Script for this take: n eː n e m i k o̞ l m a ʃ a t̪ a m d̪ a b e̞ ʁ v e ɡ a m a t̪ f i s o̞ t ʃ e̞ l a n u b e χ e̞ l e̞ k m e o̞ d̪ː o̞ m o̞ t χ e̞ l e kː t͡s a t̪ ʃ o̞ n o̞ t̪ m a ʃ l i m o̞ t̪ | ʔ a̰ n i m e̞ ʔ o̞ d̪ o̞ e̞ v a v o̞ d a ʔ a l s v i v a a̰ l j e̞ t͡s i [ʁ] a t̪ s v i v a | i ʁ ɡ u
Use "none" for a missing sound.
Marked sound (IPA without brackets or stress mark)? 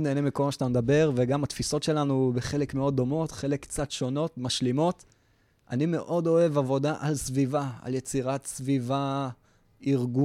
ʁ